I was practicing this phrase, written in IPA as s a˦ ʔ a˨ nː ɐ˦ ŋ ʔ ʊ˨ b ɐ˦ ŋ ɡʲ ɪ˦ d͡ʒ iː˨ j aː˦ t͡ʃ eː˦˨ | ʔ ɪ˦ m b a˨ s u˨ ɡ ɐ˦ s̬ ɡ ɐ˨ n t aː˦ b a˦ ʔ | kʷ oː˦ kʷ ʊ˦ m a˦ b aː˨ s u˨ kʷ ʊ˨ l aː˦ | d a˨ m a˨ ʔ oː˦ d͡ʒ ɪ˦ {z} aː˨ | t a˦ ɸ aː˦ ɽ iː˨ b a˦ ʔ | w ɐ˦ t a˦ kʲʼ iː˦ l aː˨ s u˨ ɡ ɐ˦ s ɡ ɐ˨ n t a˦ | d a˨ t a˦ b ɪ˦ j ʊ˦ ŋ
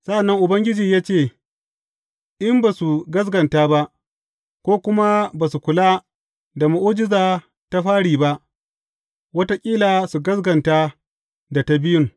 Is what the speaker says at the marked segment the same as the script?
yes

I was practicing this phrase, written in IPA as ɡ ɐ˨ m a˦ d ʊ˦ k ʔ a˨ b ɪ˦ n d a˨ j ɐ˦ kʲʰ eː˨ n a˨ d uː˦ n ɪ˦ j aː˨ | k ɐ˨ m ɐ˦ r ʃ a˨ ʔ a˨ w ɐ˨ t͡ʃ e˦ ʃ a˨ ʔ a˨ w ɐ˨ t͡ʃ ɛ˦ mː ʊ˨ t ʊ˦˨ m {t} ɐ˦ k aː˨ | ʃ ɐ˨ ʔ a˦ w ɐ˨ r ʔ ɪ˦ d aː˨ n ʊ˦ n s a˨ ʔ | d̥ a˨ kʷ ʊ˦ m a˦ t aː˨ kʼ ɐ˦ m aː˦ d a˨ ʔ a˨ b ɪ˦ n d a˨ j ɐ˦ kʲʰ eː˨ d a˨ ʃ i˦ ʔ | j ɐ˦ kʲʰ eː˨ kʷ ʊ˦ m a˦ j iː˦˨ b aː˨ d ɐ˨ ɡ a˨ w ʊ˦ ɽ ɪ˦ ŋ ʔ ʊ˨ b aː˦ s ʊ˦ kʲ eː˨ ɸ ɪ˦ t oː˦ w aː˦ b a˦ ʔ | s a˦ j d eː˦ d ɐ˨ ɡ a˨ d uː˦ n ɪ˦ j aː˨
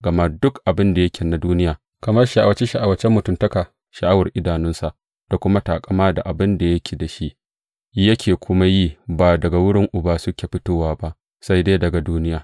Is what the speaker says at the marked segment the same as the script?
yes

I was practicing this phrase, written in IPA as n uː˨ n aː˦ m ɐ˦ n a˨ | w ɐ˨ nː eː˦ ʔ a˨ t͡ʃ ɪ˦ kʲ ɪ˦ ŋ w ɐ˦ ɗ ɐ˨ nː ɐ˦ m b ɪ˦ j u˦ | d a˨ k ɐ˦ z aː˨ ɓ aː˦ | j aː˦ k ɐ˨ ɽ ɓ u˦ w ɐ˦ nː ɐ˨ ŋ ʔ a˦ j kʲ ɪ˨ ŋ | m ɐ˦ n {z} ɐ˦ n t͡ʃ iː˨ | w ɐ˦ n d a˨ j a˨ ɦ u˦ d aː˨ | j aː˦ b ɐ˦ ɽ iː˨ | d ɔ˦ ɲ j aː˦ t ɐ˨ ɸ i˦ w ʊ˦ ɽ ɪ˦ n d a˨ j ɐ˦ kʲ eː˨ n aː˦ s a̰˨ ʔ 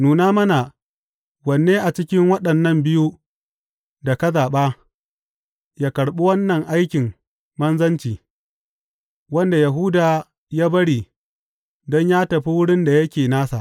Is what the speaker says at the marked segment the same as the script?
yes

